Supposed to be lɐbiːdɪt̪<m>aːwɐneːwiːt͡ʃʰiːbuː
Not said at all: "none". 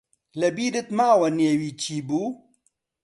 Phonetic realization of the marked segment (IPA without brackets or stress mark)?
m